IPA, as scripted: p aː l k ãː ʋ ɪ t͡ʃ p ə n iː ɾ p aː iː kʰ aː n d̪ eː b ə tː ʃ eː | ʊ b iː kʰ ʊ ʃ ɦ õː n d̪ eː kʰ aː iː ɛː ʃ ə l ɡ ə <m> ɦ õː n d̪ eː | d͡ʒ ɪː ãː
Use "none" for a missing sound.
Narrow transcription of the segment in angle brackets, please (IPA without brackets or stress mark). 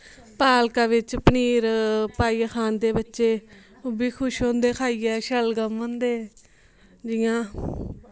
m